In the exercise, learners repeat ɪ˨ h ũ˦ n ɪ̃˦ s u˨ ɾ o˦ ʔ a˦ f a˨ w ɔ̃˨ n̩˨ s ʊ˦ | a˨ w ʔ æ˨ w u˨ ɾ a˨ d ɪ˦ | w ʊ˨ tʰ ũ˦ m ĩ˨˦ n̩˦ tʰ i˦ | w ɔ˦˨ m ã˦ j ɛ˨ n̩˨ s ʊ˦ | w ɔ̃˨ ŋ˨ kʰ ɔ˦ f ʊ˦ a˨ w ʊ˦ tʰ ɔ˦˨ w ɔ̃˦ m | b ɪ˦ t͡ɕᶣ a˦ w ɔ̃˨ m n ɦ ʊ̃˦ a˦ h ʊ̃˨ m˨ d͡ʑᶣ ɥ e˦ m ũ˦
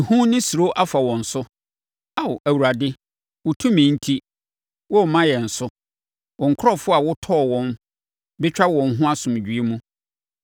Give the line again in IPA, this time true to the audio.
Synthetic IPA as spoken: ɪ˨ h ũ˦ n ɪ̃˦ s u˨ ɾ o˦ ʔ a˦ f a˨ w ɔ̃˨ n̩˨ s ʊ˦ | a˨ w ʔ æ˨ w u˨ ɾ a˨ d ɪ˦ | w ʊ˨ tʰ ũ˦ m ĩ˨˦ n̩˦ tʰ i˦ | w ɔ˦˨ m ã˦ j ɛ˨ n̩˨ s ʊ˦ | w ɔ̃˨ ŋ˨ kʰ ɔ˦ f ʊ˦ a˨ w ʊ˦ tʰ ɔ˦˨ w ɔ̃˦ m | b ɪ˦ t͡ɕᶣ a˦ w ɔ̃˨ n ɦ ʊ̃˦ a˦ s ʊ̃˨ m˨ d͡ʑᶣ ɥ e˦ m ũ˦